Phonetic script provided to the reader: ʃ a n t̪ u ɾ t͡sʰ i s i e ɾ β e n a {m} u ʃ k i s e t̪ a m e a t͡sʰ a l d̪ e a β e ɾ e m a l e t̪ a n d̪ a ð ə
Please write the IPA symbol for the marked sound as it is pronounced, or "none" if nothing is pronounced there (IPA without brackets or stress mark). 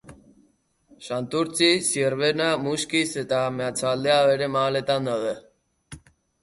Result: m